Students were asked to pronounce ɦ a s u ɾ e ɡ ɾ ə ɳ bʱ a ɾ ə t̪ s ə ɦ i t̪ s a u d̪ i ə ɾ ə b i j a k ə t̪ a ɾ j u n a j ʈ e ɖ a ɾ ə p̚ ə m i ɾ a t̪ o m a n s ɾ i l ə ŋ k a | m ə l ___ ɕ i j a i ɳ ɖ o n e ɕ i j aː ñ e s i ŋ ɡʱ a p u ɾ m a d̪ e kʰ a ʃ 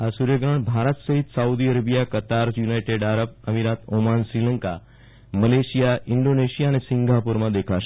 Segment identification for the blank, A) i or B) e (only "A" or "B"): B